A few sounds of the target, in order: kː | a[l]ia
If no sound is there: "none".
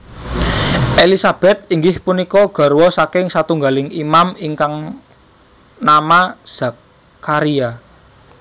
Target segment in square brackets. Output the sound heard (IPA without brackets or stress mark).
ɾ